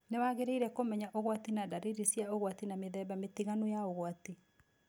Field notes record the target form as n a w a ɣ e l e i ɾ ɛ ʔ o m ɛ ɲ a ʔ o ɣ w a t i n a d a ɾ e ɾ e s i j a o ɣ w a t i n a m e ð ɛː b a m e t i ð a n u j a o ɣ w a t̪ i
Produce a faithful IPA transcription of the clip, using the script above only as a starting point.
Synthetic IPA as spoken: n e w a ɣ e ɾ e i ɾ ɛ k o m ɛ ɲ a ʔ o ɣ w a t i n a d a ɾ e ɾ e s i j a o ɣ w a t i n a m e ð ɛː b a m e t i ɣ a n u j a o ɣ w a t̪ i